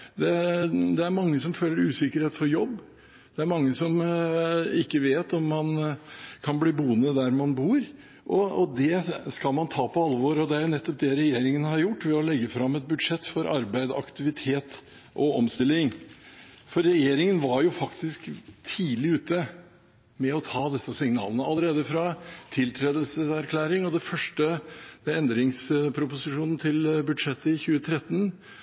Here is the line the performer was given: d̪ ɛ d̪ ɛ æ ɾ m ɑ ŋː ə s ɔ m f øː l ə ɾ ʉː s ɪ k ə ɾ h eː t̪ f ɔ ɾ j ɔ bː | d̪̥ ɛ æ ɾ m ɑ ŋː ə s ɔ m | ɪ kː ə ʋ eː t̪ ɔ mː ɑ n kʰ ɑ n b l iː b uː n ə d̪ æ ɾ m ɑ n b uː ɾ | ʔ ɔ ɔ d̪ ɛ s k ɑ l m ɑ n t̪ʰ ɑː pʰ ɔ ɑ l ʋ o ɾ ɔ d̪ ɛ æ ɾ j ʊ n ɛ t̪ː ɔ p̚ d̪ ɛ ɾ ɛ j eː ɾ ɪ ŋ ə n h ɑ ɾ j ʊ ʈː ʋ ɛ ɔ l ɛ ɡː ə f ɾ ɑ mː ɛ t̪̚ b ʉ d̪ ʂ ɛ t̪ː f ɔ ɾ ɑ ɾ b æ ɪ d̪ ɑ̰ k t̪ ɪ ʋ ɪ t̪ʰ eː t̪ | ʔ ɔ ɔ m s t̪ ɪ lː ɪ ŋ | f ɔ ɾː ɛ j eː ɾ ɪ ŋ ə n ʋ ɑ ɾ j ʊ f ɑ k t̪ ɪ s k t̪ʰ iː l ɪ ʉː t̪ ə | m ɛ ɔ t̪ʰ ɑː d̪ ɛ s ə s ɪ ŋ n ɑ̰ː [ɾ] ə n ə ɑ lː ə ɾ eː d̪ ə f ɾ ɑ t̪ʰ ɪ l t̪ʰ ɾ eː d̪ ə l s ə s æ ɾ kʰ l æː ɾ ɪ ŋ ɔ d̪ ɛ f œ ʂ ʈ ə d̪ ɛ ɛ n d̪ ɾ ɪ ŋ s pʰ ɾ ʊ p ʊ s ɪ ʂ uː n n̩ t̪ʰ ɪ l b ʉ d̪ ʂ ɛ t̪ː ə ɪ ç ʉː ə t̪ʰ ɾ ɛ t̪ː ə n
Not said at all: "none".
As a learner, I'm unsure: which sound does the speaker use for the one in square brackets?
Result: l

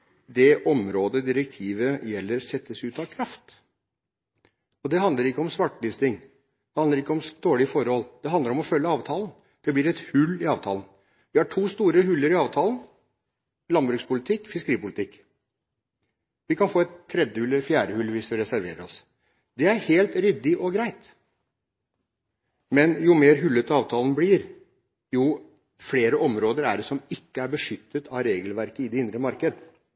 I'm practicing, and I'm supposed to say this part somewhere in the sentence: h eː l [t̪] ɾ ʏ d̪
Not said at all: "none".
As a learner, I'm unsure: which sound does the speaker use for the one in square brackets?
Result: t̪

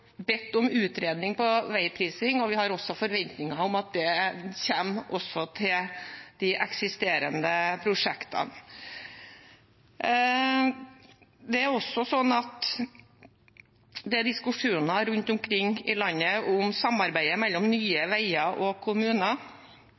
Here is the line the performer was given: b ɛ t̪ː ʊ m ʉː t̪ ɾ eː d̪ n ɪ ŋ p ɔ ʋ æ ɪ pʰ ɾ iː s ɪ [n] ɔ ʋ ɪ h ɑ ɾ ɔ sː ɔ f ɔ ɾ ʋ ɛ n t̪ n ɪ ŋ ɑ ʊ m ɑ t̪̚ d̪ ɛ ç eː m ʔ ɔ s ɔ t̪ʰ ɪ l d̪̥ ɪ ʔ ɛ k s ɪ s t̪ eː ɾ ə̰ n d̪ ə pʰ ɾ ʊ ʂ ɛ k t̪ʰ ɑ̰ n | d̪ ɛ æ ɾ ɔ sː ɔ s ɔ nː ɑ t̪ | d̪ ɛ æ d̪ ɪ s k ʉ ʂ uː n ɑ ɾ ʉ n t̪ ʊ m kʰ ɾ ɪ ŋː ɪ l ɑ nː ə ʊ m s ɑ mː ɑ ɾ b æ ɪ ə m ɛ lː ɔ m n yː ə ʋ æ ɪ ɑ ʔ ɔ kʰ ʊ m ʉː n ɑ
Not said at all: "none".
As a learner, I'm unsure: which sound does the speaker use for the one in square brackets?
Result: ŋ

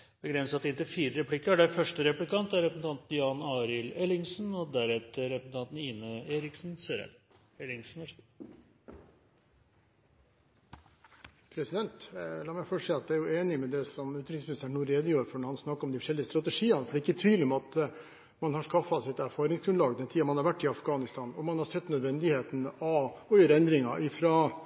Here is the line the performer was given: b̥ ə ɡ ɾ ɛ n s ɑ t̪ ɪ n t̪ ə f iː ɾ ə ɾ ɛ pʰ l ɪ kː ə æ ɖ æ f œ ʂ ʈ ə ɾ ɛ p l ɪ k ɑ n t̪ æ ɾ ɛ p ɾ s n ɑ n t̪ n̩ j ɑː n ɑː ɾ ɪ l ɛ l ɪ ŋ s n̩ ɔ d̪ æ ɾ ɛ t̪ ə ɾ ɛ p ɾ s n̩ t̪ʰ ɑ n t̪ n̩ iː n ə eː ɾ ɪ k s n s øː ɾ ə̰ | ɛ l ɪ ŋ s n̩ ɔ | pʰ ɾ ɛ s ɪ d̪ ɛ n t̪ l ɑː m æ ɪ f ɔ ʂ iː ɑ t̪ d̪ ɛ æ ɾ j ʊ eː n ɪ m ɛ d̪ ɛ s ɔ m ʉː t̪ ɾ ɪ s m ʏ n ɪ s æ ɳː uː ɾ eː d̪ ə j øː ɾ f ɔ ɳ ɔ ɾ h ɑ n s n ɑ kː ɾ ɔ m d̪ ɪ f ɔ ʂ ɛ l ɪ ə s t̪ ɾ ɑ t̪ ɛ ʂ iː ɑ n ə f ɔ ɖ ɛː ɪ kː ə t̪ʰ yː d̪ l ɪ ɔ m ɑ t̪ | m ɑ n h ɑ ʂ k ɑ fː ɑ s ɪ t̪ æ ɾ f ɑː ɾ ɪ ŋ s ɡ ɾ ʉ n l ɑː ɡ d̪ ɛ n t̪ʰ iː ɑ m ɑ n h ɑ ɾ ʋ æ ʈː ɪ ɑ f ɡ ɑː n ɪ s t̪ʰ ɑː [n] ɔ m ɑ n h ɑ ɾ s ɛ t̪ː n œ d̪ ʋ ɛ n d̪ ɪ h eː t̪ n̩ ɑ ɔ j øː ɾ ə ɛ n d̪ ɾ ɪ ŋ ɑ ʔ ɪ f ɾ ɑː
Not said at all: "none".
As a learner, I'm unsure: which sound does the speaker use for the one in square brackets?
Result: n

